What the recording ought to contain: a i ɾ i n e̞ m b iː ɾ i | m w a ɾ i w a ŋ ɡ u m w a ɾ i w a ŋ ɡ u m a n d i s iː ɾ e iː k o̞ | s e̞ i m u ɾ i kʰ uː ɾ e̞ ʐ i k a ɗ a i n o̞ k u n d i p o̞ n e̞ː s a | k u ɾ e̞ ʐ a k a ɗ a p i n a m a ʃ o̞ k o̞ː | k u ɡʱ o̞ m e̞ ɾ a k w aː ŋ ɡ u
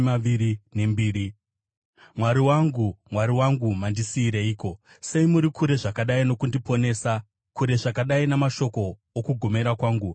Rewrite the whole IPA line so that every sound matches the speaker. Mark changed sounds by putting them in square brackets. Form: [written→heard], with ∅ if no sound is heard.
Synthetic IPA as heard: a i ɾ i n e̞ m b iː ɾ i | m w a ɾ i w a ŋ ɡ u m w a ɾ i w a ŋ ɡ u m a n d i s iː ɾ e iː k o̞ | s e̞ i m u ɾ i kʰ [uː→u] ɾ e̞ ʐ [i→a] k a ɗ a i n o̞ k u n d i p o̞ n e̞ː s a | k u ɾ e̞ ʐ a k a ɗ a [p→∅] i n a m a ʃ o̞ k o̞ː | k u ɡʱ o̞ m e̞ ɾ a k w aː ŋ ɡ u

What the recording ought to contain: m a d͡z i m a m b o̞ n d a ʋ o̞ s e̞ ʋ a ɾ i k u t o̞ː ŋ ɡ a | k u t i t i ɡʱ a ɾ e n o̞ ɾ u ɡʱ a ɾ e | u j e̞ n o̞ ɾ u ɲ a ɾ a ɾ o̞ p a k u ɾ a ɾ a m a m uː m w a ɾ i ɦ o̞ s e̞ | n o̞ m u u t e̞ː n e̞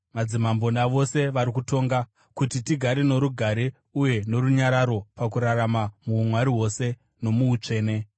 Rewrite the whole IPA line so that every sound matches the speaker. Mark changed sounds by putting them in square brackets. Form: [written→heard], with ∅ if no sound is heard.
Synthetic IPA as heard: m a d͡z i m a m b o̞ n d a ʋ o̞ s e̞ ʋ a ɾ i k u t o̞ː ŋ ɡ a | k u t i t i ɡʱ a ɾ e n o̞ ɾ u ɡʱ a ɾ e | u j e̞ n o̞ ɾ u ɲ a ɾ a ɾ o̞ p a k u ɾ a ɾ a m a m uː m w a ɾ i ɦ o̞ s e̞ | n o̞ m u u [t→t͡ʂ] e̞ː n e̞

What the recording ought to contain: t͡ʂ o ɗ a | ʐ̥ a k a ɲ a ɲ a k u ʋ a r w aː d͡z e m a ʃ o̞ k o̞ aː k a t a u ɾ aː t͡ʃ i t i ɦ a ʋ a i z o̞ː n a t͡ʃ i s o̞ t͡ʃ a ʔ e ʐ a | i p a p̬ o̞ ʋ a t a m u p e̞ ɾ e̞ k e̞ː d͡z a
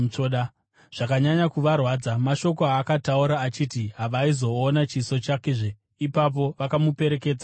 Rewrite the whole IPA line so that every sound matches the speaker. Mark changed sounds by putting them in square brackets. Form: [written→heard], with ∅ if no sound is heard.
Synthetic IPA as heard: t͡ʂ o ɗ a | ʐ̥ a k a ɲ a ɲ a k u ʋ a r w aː d͡z [e→a] m a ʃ o̞ k o̞ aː k a t a u ɾ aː t͡ʃ i t i ɦ a ʋ a i z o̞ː n a t͡ʃ i s o̞ t͡ʃ a [ʔ→k] e ʐ [a→e] | i p a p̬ o̞ ʋ a [t→k] a m u p e̞ ɾ e̞ k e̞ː d͡z a

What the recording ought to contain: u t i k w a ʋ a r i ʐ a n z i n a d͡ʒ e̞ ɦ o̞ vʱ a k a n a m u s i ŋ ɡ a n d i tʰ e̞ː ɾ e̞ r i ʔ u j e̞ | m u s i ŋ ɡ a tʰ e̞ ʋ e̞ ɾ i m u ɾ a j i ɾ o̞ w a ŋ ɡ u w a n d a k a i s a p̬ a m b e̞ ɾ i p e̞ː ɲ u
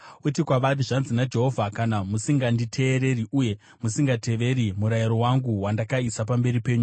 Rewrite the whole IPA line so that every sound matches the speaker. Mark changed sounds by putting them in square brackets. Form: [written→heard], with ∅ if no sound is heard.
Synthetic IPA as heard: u t i k w a ʋ a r i ʐ a n z i n a d͡ʒ e̞ ɦ o̞ vʱ a k a n a m u s i ŋ ɡ a n d i tʰ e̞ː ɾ e̞ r i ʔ u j e̞ | m u s i ŋ ɡ a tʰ e̞ ʋ e̞ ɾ i m u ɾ a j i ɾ o̞ w a ŋ ɡ u w a n d a k a i s a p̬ a m b e̞ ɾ i p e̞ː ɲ u

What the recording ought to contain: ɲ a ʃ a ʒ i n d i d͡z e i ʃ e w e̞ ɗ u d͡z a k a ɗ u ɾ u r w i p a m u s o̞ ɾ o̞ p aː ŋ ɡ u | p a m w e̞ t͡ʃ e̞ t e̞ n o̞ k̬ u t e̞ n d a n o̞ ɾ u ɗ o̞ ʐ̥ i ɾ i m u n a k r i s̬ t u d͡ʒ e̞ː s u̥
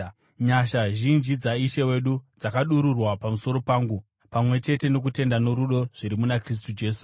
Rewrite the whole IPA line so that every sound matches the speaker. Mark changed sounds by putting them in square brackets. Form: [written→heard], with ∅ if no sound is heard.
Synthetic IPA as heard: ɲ a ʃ a ʒ i n [d→d͡ʒ] i d͡z [e→a] i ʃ e w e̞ ɗ u d͡z a k a ɗ u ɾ u r w [i→a] p a m u s o̞ ɾ o̞ p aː ŋ ɡ u | p a m w e̞ t͡ʃ e̞ t e̞ n o̞ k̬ u t e̞ n d a n o̞ ɾ u ɗ o̞ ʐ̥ i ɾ i m u n a k r i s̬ t u d͡ʒ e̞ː s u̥

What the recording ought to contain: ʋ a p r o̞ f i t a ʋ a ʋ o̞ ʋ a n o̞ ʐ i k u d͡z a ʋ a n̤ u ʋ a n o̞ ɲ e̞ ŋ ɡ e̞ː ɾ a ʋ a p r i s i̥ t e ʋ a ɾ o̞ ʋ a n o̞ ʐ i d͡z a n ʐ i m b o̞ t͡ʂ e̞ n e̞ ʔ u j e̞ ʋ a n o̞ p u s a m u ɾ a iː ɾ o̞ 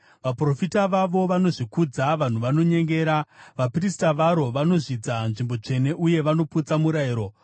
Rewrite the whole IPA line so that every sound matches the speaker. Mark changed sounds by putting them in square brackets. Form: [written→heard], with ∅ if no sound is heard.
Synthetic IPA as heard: ʋ a p r o̞ f i t a ʋ a ʋ o̞ ʋ a n o̞ ʐ i k u d͡z a ʋ a n̤ u ʋ a n o̞ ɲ e̞ ŋ ɡ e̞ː ɾ a ʋ a p r i s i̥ t [e→a] ʋ a ɾ o̞ ʋ a n o̞ ʐ i d͡z a n ʐ i m b o̞ t͡ʂ e̞ n e̞ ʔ u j e̞ ʋ a n o̞ p u [s→t͡s] a m u ɾ a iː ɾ o̞

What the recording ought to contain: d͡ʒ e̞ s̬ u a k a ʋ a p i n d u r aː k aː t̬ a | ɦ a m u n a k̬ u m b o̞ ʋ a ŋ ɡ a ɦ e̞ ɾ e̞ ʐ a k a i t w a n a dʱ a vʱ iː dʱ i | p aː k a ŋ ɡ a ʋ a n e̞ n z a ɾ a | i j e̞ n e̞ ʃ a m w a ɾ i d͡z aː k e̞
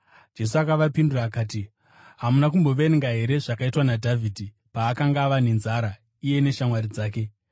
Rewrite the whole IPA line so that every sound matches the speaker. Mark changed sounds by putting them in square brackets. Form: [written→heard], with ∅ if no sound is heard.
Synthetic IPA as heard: d͡ʒ e̞ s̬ u a k a ʋ a p i n d u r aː k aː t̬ [a→i] | ɦ a m u n a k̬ u m b o̞ ʋ [a→e] ŋ ɡ a ɦ e̞ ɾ e̞ ʐ a k a i t w a n a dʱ a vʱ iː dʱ i | p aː k a ŋ ɡ a ʋ a n e̞ n z a ɾ a | i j e̞ n e̞ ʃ a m w a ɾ i d͡z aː k e̞

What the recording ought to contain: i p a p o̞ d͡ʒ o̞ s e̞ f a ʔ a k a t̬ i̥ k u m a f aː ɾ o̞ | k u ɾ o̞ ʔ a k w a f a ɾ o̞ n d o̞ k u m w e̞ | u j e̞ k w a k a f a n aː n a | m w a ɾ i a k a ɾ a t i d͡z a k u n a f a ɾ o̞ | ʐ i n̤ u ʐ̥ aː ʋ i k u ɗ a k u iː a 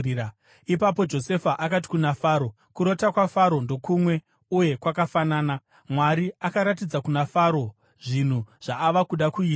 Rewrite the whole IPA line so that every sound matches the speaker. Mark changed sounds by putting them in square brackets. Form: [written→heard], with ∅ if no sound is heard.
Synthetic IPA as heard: i p a p o̞ d͡ʒ o̞ s e̞ f a ʔ a k a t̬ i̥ k u [m→n] a f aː ɾ o̞ | k u ɾ o̞ [ʔ→t] a k w a f a ɾ o̞ n d o̞ k u m w e̞ | u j e̞ k w a k a f a n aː n a | m w a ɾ i a k a ɾ a t i d͡z a k u n a f a ɾ o̞ | ʐ i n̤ u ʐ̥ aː ʋ [i→a] k u ɗ a k u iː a

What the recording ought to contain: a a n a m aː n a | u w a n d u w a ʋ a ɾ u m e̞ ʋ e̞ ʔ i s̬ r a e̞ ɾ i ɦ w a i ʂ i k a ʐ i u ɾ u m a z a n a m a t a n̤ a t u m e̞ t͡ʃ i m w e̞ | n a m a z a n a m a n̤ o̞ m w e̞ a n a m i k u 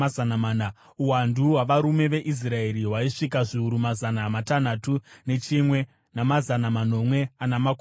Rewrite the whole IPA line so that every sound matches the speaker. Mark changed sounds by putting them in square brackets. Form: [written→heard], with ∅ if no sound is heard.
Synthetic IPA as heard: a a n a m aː n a | u w a n d u w a ʋ a ɾ u m e̞ ʋ e̞ ʔ i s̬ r a e̞ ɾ i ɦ w a i ʂ i k a ʐ i u ɾ u m a z a n a m a t a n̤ a t u [m→n] e̞ t͡ʃ i m w e̞ | n a m a z a n a m a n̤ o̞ m w e̞ a n a m [i→a] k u

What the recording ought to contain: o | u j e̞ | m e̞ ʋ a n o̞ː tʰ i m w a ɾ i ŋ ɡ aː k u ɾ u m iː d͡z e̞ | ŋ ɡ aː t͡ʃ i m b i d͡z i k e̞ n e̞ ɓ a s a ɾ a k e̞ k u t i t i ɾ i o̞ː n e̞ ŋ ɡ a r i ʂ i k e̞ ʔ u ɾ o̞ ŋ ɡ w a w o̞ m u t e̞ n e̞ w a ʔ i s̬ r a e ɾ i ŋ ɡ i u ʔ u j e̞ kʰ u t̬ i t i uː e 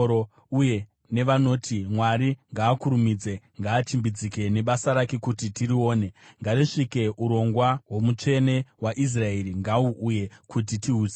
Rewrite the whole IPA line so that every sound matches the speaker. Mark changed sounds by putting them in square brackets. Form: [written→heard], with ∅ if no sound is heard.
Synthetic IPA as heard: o | u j e̞ | [m→n] e̞ ʋ a n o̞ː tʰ i m w a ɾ i ŋ ɡ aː k u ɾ u m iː d͡z e̞ | ŋ ɡ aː t͡ʃ i m b i d͡z i k e̞ n e̞ ɓ a s a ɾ a k e̞ k u t i t i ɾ i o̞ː n e̞ ŋ ɡ a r i ʂ i k e̞ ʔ u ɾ o̞ ŋ ɡ w a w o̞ m u [t→t͡ʂ] e̞ n e̞ w a ʔ i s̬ r a e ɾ i ŋ ɡ [i→a] u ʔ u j e̞ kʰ u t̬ i t i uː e

